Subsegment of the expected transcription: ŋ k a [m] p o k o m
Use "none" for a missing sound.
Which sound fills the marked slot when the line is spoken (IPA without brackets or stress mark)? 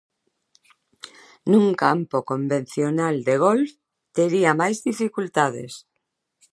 m